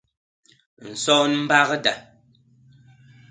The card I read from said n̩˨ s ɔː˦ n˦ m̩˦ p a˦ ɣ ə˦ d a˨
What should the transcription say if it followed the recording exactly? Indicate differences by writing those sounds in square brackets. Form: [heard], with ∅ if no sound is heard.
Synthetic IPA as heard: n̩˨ s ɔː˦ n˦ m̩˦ [b] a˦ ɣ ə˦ d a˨